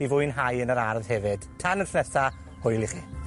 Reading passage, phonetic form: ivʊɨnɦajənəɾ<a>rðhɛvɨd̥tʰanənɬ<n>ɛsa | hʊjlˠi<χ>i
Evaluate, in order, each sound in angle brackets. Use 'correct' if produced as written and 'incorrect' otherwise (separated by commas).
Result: correct, correct, correct